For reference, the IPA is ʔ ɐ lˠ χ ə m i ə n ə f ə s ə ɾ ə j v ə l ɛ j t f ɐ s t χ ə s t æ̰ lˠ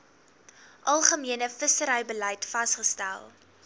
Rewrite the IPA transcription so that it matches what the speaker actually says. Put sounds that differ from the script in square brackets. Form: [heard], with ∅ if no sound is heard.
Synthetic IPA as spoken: ʔ ɐ lˠ χ ə m i ə n ə f ə s ə ɾ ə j [b] ə l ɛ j t f ɐ s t χ ə s t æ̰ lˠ